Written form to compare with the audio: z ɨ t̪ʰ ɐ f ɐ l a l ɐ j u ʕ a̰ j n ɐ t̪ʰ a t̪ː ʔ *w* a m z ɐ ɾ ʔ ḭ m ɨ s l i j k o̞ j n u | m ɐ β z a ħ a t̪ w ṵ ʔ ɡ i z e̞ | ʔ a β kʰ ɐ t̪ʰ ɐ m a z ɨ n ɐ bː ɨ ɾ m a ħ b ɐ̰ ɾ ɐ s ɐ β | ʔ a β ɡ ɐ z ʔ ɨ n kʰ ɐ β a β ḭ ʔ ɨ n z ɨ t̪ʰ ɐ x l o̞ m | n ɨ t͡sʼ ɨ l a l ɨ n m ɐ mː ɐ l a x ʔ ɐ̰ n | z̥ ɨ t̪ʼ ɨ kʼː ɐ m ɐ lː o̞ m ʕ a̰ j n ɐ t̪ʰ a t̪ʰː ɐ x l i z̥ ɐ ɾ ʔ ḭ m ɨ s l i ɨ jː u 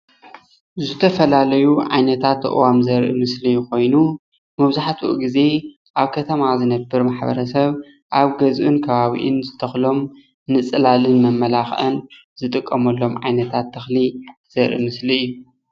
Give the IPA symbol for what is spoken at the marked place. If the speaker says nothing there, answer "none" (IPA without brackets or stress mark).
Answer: w